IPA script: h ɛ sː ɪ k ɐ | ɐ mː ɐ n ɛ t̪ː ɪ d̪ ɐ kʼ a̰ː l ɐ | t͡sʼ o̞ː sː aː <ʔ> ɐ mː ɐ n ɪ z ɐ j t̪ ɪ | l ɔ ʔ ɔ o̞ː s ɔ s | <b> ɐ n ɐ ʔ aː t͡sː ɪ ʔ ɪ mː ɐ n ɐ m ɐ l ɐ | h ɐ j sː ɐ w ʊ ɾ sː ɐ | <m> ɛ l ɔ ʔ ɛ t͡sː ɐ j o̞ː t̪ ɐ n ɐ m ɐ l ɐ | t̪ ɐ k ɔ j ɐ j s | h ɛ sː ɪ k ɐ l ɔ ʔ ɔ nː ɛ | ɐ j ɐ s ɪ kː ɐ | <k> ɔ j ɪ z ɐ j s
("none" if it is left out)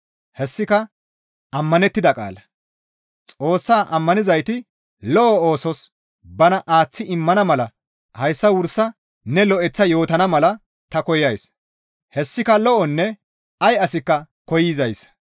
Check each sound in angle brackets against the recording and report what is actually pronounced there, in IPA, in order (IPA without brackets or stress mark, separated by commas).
ʔ, b, n, k